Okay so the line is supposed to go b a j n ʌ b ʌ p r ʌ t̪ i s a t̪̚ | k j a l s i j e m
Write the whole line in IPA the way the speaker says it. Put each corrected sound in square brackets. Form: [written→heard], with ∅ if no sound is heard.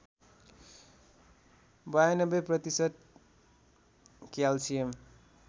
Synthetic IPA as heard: b a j n ʌ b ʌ p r ʌ t̪ i s [a→ʌ] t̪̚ | k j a l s i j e m